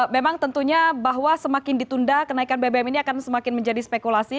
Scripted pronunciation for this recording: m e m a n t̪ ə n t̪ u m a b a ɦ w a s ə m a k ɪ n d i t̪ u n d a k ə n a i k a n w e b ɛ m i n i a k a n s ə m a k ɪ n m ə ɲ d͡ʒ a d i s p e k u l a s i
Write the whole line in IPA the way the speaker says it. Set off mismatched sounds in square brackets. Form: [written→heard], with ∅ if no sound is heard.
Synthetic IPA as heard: m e m a [n→ŋ] t̪ ə n t̪ u [m→ɲ] a b a ɦ w a s ə m a k ɪ n d i t̪ u n d a k ə n a i k a n [w→b] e b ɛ m i n i a k a n s ə m a k ɪ n m ə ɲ d͡ʒ a d i s p e k u l a s i

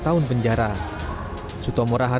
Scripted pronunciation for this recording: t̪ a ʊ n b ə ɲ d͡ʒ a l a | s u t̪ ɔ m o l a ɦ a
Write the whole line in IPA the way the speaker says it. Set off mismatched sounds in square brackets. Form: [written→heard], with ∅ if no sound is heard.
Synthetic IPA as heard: t̪ a ʊ n [b→p] ə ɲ d͡ʒ a [l→ɾ] a | s u t̪ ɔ m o [l→ɾ] a ɦ a

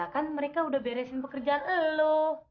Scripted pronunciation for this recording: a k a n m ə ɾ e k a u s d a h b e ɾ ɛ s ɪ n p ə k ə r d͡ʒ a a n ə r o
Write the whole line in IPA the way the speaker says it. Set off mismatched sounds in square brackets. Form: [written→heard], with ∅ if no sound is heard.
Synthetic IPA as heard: a k a n m ə ɾ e k a u [s→∅] d a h b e ɾ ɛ s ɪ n p ə k ə r d͡ʒ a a n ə [r→l] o

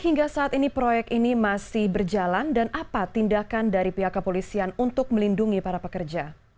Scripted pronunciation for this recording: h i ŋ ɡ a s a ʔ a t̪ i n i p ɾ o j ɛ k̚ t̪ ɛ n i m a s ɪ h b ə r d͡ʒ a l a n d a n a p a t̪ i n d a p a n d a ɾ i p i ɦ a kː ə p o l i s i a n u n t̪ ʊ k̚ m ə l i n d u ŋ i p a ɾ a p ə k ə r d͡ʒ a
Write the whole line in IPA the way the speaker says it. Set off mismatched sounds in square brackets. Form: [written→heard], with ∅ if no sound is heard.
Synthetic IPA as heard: h i ŋ ɡ a s a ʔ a t̪ i n i p ɾ o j ɛ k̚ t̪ [ɛ→i] n i m a s ɪ h b ə r d͡ʒ a l a n d a n a p a t̪ i n d a [p→k] a n d a ɾ i p i ɦ a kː ə p o l i s i a n u n t̪ ʊ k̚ m ə l i n d u ŋ i p a ɾ a p ə k ə r d͡ʒ a

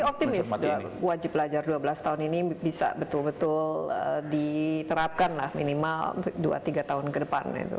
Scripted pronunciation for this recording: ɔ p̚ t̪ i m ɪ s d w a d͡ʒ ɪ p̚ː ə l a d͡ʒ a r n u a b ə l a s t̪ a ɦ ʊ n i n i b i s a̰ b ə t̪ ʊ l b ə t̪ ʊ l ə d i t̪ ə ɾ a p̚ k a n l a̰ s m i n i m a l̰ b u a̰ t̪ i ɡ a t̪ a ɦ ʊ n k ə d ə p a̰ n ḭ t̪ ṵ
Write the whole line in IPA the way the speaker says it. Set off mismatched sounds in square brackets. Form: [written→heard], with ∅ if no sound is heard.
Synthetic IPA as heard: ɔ p̚ t̪ i m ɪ s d w a d͡ʒ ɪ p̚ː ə l a d͡ʒ a r [n→d] u a b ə l a s t̪ a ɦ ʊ n i n i b i s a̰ b ə t̪ ʊ l b ə t̪ ʊ l ə d i t̪ ə ɾ a p̚ k a n l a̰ [s→h] m i n i m a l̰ [b→d] u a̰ t̪ i ɡ a t̪ a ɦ ʊ n k ə d ə p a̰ n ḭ t̪ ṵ

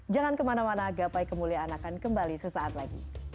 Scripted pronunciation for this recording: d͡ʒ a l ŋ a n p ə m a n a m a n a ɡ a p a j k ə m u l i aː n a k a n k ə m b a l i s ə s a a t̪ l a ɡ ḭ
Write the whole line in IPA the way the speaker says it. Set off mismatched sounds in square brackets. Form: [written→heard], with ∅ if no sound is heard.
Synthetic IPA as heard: d͡ʒ a [l→∅] ŋ a n [p→k] ə m a n a m a n a ɡ a p a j k ə m u l i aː n a k a n k ə m b a l i s ə s a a t̪ l a ɡ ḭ

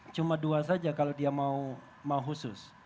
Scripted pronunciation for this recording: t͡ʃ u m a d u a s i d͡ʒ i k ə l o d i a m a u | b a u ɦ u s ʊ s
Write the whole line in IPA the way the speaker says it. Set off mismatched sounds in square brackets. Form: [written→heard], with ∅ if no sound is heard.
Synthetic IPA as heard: t͡ʃ u m a d u a s [i→a] d͡ʒ [i→a] k [ə→a] l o d i a m a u | [b→m] a u ɦ u s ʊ s

